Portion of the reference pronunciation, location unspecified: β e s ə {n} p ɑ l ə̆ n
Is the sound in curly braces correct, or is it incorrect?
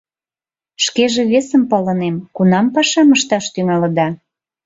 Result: incorrect